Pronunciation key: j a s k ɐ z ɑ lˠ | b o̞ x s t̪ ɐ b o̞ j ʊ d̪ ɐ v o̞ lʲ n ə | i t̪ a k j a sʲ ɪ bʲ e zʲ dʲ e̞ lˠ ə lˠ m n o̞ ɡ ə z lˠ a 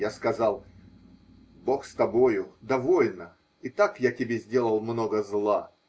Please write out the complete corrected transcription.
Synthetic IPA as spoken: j a s k ɐ z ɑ lˠ | b o̞ x s t̪ ɐ b o̞ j ʊ d̪ ɐ v o̞ lʲ n ə | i t̪ a k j a tʲ ɪ bʲ e zʲ dʲ e̞ lˠ ə lˠ m n o̞ ɡ ə z lˠ a